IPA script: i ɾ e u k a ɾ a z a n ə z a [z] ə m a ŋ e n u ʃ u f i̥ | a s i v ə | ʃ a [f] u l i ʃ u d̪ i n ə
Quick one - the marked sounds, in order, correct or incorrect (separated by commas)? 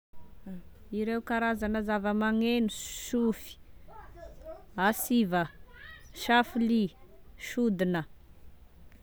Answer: incorrect, correct